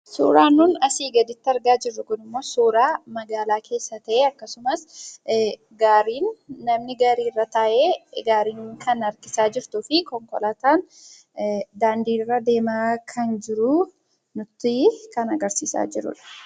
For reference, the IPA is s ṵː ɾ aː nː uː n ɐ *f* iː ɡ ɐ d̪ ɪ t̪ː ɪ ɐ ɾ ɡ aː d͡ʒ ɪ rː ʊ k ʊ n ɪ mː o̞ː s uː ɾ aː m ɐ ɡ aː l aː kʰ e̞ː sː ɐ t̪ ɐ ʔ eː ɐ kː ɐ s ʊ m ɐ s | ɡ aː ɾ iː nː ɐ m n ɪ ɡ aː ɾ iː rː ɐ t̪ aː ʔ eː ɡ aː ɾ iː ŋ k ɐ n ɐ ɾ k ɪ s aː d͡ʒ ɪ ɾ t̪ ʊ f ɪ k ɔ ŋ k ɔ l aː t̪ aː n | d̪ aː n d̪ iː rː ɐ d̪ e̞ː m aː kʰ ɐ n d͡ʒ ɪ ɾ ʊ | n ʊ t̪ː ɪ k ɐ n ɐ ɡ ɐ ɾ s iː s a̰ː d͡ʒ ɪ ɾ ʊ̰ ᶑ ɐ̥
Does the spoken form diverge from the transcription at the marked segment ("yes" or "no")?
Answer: yes